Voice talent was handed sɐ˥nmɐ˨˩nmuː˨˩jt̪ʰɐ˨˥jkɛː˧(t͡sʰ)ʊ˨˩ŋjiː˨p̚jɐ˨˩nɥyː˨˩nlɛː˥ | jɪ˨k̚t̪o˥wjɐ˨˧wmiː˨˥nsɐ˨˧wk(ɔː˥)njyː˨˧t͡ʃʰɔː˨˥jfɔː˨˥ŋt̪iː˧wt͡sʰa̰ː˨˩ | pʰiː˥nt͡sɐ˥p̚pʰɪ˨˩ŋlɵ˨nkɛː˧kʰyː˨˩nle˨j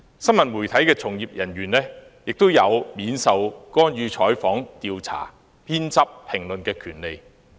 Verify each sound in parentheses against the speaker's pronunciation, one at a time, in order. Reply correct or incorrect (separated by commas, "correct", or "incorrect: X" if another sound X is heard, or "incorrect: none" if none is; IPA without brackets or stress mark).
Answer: correct, correct